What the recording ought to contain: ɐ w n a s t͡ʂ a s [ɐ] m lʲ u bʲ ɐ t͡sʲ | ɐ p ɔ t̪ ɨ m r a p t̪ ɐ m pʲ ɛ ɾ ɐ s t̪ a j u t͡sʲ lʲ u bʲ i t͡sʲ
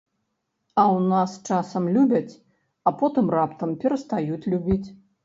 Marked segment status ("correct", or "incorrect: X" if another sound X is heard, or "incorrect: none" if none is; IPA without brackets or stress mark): correct